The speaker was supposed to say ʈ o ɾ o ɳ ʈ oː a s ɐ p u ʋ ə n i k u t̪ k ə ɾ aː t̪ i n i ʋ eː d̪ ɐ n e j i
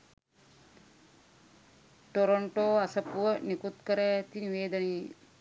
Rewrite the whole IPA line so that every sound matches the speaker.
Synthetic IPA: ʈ o ɾ o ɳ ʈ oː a s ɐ p u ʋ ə n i k u t̪ k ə ɾ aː t̪ i n i ʋ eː d̪ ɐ n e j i